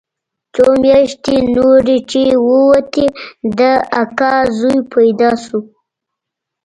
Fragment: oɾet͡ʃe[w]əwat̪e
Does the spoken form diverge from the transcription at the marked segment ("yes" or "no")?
no